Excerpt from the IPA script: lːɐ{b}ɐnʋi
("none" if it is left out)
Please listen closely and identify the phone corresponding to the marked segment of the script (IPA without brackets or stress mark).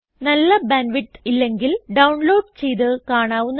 b